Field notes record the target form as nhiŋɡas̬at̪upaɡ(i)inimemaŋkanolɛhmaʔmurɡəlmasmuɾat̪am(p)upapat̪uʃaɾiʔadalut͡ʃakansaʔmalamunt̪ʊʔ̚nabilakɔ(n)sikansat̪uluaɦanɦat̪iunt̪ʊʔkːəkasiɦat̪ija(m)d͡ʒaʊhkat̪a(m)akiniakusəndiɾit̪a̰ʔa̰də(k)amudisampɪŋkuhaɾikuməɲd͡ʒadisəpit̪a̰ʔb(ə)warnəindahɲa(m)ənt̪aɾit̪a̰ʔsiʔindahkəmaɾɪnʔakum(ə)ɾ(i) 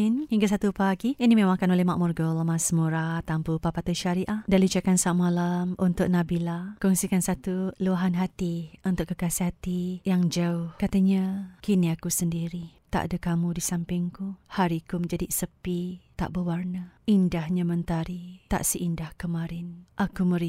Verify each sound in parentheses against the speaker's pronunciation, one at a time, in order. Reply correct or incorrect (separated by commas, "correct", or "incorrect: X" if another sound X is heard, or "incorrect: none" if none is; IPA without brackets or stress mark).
correct, correct, incorrect: ŋ, incorrect: ŋ, incorrect: ɲ, correct, correct, correct, correct, correct